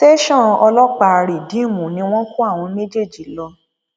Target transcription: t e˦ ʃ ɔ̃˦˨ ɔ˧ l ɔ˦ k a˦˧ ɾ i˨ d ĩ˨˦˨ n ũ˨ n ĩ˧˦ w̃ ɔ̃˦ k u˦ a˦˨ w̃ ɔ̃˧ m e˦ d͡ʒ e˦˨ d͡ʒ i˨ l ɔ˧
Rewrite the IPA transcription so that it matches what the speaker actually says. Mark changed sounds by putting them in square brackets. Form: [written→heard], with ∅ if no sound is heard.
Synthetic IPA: t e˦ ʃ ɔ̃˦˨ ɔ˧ l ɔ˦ [k→k͡p] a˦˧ ɾ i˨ d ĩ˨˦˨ [n→m] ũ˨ n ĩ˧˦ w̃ ɔ̃˦ k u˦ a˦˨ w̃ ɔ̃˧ m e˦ d͡ʒ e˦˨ d͡ʒ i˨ l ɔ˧